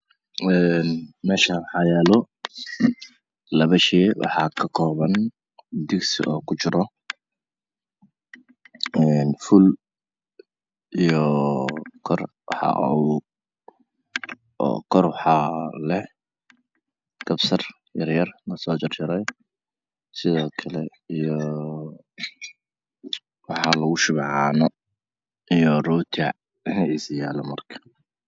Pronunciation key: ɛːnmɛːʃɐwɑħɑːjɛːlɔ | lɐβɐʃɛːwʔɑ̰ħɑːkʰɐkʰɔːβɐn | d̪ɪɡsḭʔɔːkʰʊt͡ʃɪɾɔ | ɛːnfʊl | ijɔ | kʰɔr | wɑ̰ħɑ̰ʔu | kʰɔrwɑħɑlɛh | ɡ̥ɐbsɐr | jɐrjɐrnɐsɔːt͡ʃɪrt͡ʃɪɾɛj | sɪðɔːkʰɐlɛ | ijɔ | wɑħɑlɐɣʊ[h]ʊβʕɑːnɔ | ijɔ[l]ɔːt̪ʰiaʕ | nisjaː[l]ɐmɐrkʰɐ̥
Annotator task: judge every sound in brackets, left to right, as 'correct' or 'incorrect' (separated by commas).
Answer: incorrect, incorrect, correct